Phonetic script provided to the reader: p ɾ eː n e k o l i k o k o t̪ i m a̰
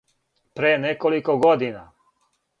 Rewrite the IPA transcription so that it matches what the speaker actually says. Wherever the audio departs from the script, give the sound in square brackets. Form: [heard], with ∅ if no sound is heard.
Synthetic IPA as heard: p ɾ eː n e k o l i k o [ɡ] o [d̪] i [n] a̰